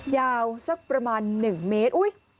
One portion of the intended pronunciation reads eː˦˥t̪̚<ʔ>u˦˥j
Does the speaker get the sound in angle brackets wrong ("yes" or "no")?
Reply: no